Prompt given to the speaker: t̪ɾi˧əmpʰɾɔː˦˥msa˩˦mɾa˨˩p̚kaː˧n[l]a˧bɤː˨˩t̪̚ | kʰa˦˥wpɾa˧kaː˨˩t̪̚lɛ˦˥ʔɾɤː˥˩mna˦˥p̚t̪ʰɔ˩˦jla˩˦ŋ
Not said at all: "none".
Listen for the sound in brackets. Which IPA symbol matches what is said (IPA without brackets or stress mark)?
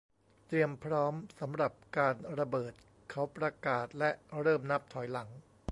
ɾ